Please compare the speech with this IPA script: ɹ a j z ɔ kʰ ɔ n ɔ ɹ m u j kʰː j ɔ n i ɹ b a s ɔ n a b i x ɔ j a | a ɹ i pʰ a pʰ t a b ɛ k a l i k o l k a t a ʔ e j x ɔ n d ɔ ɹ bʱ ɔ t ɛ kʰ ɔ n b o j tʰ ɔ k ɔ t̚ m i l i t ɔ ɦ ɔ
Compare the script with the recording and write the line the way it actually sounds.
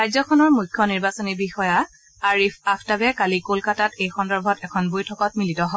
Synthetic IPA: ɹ a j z ɔ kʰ ɔ n ɔ ɹ m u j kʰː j ɔ n i ɹ b a s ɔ n i b i x ɔ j a | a ɹ i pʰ a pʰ t a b ɛ k a l i k o l k a t a t e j x ɔ n d ɔ ɹ bʱ ɔ t ɛ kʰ ɔ n b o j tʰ ɔ k ɔ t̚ m i l i t ɔ ɦ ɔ